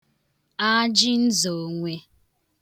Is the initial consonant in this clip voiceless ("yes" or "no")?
no